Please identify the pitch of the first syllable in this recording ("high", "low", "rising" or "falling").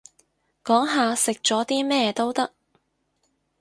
rising